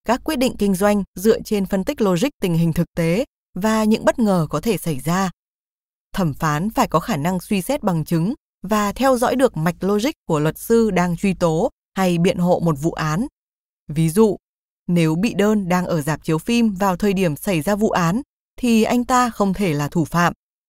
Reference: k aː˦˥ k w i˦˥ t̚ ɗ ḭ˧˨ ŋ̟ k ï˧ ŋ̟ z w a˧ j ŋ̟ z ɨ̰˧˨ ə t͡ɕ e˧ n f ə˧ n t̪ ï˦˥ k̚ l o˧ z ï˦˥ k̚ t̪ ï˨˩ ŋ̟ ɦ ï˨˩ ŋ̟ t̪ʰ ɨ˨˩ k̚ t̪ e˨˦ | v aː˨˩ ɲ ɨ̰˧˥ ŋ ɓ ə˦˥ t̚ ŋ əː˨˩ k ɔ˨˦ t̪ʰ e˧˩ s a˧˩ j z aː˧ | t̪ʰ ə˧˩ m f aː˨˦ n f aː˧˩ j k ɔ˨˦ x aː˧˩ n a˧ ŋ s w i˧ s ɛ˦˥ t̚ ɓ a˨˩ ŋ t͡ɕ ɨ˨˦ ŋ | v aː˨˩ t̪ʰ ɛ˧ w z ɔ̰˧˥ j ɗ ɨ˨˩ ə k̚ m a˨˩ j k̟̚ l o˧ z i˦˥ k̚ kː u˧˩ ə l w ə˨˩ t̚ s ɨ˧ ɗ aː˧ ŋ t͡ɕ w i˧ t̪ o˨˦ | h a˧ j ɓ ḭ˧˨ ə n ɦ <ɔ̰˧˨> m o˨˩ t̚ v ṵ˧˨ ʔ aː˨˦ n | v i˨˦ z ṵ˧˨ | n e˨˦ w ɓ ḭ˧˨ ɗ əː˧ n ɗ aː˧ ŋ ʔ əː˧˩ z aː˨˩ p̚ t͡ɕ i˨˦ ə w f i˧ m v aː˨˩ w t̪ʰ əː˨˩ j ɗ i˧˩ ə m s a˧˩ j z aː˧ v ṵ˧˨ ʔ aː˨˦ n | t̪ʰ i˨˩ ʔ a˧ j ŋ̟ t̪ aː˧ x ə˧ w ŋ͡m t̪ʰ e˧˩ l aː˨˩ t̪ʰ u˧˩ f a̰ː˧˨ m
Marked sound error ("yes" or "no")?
yes